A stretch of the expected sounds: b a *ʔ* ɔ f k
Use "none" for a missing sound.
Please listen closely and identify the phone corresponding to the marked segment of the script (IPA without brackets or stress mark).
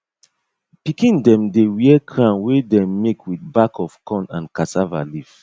k